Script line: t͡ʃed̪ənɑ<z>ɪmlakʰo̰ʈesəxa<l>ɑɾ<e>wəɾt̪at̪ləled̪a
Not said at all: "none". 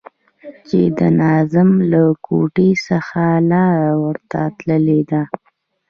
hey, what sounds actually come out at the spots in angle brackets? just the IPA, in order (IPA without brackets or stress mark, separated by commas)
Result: z, l, a